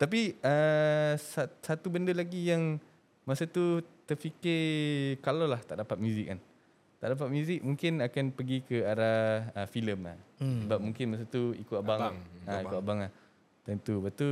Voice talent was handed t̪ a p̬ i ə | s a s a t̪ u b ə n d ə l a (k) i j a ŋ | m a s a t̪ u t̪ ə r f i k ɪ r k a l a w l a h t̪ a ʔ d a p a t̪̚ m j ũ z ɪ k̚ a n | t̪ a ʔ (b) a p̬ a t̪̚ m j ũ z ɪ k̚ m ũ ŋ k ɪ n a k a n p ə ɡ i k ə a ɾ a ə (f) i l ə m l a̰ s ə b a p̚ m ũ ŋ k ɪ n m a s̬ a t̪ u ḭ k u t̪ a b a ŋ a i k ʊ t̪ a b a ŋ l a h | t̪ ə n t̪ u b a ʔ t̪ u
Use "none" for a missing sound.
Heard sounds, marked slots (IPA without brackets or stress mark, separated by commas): ɡ, d, f